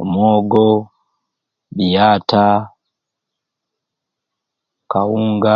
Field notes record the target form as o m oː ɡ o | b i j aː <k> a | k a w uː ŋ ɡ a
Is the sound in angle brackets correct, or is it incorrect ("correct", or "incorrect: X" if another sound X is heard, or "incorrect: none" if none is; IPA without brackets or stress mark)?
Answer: incorrect: t